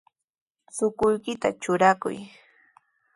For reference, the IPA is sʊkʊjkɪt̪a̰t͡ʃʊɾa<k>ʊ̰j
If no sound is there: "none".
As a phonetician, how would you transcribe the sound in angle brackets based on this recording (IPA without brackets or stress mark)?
k